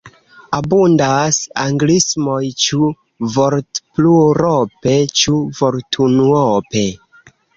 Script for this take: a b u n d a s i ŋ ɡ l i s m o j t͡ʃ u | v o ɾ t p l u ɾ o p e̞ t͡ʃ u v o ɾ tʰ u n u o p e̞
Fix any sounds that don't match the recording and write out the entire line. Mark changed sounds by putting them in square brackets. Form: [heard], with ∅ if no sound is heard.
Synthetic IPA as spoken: a b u n d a s [a] ŋ ɡ l i s m o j t͡ʃ u | v o ɾ t p l u ɾ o p e̞ t͡ʃ u v o ɾ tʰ u n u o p e̞